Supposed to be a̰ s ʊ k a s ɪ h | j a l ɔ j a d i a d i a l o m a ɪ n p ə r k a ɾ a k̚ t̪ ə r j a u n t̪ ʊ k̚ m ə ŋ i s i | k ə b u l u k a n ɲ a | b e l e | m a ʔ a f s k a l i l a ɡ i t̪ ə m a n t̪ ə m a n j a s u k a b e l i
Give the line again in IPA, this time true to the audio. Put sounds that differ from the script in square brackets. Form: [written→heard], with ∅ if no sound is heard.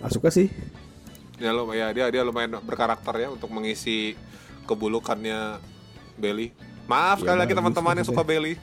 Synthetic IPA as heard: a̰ s [ʊ→u] k a s ɪ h | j a l [ɔ→o] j a d i a d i a l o m a ɪ n [p→b] ə r k a ɾ a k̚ t̪ ə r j a u n t̪ ʊ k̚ m ə ŋ i s i | k ə b u l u k a n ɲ a | b e l [e→i] | m a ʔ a f s k a l i l a ɡ i t̪ ə m a n t̪ ə m a n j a s u k a b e l i